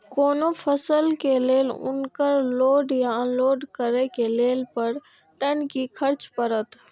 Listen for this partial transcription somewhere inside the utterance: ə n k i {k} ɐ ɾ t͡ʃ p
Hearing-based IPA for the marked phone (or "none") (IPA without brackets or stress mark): kʰ